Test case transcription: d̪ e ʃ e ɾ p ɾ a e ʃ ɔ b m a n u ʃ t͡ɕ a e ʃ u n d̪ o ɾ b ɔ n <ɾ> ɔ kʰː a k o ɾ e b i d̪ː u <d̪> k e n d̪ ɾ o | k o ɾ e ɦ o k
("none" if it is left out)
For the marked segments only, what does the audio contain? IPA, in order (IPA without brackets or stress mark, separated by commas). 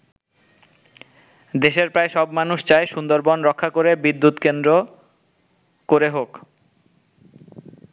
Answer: ɾ, t̪